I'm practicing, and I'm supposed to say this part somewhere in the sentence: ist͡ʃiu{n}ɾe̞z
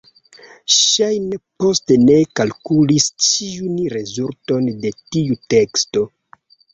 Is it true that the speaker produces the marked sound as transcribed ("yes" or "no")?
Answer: yes